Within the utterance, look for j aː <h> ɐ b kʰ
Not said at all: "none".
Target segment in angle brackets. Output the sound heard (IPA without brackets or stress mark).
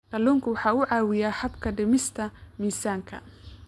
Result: h